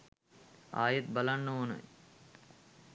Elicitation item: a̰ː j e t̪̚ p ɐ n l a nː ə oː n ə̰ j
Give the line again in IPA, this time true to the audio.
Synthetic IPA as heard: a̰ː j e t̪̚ b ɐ l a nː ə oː n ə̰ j